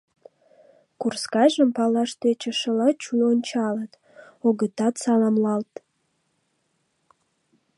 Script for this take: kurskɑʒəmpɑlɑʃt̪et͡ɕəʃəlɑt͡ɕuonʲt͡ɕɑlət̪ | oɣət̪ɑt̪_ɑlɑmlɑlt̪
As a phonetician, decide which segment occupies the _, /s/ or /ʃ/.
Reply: s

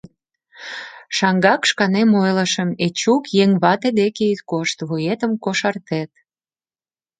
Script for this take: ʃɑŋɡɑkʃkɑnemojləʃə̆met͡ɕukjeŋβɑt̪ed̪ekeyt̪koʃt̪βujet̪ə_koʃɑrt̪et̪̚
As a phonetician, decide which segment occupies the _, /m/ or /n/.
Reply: m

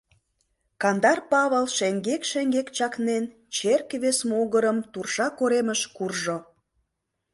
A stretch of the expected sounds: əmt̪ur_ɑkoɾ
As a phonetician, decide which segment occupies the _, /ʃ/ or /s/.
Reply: ʃ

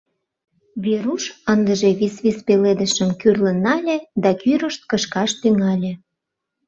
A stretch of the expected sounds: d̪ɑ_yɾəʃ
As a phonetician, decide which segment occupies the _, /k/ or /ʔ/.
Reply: k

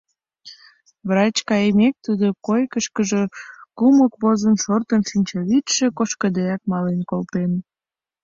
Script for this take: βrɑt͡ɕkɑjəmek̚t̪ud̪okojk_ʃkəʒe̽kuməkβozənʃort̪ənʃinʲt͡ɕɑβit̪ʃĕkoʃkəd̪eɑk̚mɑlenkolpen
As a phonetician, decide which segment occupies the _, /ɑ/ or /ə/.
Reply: ə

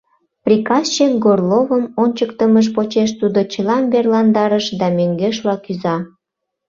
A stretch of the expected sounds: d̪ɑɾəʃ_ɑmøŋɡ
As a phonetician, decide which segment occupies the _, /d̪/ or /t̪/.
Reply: d̪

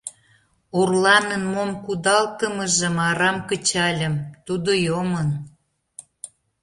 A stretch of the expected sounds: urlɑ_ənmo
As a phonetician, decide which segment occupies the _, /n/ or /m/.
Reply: n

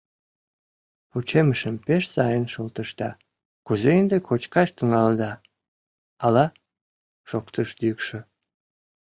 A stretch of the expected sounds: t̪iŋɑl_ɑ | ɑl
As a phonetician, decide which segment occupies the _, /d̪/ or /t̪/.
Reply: d̪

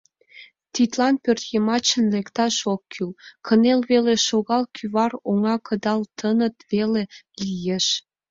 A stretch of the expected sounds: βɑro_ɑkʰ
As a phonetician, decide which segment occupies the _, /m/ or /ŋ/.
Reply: ŋ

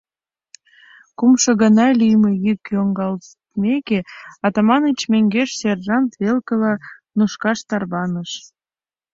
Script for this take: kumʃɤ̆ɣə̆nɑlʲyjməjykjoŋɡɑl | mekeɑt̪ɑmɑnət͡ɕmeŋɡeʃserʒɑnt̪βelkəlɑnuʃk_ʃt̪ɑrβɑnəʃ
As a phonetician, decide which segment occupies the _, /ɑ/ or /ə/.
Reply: ɑ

